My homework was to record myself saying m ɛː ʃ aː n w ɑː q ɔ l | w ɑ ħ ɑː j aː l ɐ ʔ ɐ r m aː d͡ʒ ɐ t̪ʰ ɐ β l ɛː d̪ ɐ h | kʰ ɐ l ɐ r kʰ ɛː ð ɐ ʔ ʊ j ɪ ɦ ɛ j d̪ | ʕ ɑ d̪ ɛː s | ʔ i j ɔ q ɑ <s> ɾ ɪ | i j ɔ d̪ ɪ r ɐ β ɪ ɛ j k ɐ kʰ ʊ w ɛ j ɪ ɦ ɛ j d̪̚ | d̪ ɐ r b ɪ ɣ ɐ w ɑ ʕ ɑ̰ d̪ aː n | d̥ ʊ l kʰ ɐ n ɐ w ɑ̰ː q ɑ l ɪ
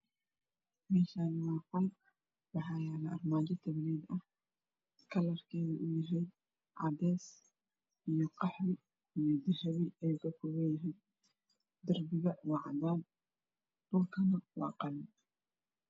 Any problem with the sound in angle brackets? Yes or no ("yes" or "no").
yes